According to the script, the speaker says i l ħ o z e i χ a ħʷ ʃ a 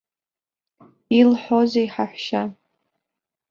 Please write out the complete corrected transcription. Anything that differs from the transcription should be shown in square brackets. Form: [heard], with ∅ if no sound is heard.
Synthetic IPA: i l ħ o z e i [ħ] a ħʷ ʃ a

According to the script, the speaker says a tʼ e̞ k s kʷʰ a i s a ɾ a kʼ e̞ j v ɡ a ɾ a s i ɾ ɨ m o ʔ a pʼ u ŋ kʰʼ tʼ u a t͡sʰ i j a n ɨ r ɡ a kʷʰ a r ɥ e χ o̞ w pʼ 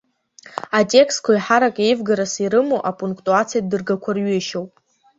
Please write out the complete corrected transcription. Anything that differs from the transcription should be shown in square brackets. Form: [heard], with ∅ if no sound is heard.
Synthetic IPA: a tʼ e̞ k s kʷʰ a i [ħ] a ɾ a kʼ e̞ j v ɡ a ɾ a s i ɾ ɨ m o ʔ a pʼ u ŋ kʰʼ tʼ u a t͡sʰ i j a [d] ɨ r ɡ a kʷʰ a r ɥ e [ʃ] o̞ w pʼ

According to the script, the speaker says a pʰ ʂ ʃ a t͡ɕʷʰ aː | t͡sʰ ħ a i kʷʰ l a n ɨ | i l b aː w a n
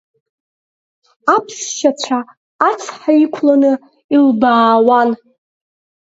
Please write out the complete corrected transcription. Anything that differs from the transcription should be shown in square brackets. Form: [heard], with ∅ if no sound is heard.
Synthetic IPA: a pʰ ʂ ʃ a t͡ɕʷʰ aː | t͡sʰ ħ a i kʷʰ l a n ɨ | i l b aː w a n

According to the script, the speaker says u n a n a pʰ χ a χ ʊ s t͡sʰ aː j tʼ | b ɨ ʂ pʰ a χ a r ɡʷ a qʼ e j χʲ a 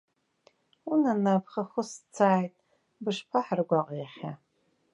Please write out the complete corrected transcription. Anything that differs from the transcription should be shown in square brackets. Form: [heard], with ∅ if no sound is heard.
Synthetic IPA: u n a n a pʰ χ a χ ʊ s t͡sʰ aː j tʼ | b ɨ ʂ pʰ a [ħ] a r ɡʷ a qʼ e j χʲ a

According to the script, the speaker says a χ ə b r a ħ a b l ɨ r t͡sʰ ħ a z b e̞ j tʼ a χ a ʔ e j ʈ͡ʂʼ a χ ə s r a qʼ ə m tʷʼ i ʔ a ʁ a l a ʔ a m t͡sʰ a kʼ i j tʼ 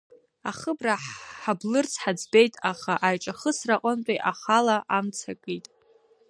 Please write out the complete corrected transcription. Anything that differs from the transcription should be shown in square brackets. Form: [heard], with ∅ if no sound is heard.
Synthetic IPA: a χ ə b r a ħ a b l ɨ r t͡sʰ ħ a [d͡z] b e̞ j tʼ a χ a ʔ [a] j ʈ͡ʂʼ a χ ə s r a qʼ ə [n] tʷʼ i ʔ a [χ] a l a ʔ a m t͡sʰ a kʼ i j tʼ

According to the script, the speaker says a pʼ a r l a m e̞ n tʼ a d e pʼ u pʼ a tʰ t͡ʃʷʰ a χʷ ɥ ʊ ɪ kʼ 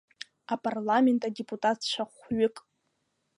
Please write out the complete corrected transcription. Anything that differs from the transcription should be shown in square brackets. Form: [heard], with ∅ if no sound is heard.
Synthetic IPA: a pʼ a r l a m e̞ n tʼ a d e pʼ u [tʼ] a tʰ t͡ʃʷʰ a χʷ ɥ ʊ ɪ kʼ

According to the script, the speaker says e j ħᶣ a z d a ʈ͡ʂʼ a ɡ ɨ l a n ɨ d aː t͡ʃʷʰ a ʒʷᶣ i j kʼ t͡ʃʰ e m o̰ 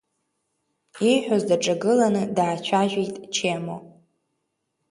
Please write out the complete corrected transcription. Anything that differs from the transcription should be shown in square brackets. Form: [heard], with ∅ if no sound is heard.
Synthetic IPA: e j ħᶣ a z d a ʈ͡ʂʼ a ɡ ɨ l a n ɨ d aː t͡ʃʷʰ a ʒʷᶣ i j [tʼ] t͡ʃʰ e m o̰

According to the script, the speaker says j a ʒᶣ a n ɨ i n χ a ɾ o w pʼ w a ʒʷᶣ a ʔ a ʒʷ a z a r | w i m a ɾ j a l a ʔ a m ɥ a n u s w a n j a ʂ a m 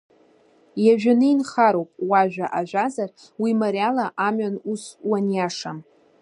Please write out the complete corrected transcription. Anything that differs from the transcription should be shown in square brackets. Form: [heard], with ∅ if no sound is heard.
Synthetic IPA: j a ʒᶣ a n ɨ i n χ a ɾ o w pʼ w a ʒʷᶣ a ʔ a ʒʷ a z a r | w i m a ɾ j a l a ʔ a m ɥ a n u s w a n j a ʂ a m

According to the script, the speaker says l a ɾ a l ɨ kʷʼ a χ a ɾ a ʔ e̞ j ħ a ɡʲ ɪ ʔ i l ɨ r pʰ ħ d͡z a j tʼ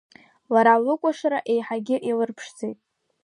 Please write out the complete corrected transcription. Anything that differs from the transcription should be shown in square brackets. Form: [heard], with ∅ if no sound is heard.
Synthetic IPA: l a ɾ a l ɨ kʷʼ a [ʂ] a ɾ a ʔ e̞ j ħ a ɡʲ ɪ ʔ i l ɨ r pʰ [ʂ] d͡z [e] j tʼ

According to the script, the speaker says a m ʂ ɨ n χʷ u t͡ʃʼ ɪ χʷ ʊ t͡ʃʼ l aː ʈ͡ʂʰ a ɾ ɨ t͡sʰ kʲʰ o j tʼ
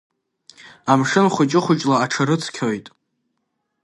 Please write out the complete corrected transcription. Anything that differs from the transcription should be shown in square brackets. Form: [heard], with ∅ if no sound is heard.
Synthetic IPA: a m ʂ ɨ n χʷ [ʊ] t͡ʃʼ ɪ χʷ ʊ t͡ʃʼ l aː ʈ͡ʂʰ a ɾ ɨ t͡sʰ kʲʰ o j tʼ

